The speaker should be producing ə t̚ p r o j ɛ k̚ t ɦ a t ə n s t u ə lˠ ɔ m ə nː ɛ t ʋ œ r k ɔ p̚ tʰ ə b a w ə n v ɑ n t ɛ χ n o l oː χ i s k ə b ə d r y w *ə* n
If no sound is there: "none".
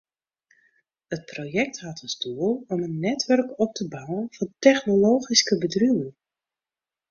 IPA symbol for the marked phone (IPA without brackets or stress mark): ə